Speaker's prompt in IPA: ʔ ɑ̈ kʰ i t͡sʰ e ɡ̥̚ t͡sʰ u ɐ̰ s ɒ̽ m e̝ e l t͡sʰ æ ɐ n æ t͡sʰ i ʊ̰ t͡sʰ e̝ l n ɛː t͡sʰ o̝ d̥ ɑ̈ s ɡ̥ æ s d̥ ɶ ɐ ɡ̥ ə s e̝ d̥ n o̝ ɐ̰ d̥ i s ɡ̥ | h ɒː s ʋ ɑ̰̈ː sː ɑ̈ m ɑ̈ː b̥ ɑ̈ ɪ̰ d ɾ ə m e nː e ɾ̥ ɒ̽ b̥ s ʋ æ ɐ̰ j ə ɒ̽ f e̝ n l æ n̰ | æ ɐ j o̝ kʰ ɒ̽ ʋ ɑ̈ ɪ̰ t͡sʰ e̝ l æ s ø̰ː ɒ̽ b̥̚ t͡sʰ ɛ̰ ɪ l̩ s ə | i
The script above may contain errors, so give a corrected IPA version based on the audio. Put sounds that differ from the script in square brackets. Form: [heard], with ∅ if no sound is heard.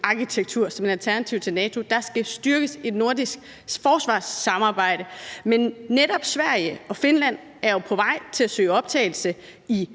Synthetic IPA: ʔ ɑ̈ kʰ i t͡sʰ e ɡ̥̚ t͡sʰ u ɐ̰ s ɒ̽ m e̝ [æ] l t͡sʰ æ ɐ n æ t͡sʰ i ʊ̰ t͡sʰ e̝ l n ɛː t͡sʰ o̝ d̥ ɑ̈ s ɡ̥ æ s d̥ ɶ ɐ ɡ̥ ə s e̝ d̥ n o̝ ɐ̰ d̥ i s ɡ̥ | [f] ɒː s ʋ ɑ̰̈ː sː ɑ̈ m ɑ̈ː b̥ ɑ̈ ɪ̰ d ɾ ə m e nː e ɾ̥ ɒ̽ b̥ s ʋ æ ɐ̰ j ə ɒ̽ f e̝ n l æ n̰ | æ ɐ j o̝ [pʰ] ɒ̽ ʋ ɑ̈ ɪ̰ t͡sʰ e̝ l æ s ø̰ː ɒ̽ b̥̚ t͡sʰ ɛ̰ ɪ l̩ s ə | i